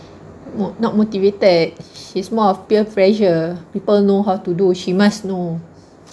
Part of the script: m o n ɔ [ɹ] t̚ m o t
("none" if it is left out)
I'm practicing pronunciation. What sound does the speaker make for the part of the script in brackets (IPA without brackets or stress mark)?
none